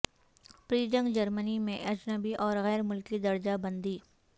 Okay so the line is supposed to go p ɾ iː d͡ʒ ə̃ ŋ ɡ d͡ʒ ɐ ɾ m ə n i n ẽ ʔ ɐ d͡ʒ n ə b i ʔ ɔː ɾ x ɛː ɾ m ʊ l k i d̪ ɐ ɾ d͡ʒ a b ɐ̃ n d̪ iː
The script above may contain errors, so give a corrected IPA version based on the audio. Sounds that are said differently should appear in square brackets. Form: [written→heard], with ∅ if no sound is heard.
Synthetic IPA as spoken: p ɾ iː d͡ʒ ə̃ ŋ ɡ d͡ʒ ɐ ɾ m ə n i [n→m] ẽ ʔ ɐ d͡ʒ n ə b i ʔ ɔː ɾ [x→ɣ] ɛː ɾ m ʊ l k i d̪ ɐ ɾ d͡ʒ a b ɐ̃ n d̪ iː